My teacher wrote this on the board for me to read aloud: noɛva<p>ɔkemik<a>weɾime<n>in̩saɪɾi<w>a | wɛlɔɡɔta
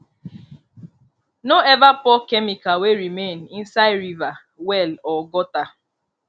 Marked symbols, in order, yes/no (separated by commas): yes, yes, yes, no